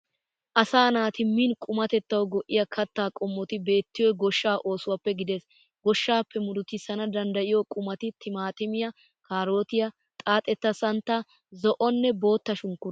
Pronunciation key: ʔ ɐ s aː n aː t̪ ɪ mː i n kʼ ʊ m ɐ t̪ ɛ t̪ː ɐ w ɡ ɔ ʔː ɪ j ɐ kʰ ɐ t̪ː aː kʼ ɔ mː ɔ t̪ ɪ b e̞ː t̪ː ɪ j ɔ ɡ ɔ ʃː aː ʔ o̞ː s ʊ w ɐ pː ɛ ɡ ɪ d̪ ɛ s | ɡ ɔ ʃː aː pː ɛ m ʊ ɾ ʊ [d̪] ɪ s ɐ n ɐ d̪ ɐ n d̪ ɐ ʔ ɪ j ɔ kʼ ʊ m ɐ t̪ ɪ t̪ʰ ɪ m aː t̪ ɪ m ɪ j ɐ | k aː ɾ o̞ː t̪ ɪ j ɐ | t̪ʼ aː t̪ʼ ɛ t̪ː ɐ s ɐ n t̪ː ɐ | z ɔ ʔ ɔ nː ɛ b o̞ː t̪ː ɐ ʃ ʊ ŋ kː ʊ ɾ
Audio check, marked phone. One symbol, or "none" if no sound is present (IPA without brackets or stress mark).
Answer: t̪